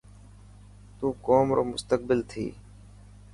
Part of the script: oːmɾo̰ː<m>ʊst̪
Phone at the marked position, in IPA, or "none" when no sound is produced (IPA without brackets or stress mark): m